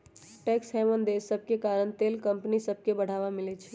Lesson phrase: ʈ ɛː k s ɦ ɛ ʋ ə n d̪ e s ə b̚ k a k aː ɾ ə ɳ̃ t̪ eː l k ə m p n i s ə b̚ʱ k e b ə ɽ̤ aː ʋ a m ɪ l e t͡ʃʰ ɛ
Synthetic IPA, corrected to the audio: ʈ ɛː k s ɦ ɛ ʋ ə n d̪ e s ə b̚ k e k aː ɾ ə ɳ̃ t̪ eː l k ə m p n i s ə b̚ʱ k e b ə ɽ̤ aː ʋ a m ɪ l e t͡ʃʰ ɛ

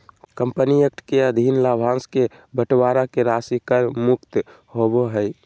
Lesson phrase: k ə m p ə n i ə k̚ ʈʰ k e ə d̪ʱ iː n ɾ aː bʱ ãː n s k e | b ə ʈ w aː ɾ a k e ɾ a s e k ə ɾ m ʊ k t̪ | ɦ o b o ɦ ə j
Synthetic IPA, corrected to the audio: k ə m p ə n i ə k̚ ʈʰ k e ə d̪ʱ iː n l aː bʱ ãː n s k e | b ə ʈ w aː ɾ a k e ɾ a s i k ə ɾ m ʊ k t̪ | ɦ o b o ɦ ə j

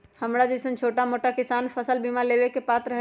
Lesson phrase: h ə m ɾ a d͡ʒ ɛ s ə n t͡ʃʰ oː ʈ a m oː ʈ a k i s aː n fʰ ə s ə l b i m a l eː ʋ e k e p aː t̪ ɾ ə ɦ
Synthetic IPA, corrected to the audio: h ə m ɾ a d͡ʒ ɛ s ə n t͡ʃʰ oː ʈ a m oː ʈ a k ɪ s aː n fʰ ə s ə l b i m a l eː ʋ e k e p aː t̪ ɾ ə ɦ

